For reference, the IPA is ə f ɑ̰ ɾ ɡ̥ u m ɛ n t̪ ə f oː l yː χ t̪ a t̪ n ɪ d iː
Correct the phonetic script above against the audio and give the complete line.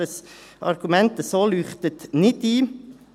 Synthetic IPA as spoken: ə s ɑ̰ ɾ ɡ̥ u m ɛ n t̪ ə s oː l yː χ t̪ ə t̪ n ɪ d iː